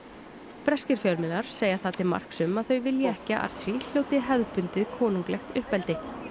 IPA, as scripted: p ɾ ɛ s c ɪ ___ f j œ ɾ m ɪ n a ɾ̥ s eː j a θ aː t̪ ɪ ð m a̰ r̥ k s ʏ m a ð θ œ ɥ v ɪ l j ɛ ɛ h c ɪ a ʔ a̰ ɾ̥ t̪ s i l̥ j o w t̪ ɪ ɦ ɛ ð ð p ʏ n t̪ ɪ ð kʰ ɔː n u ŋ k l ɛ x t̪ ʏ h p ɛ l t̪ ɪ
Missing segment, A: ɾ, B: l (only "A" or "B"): A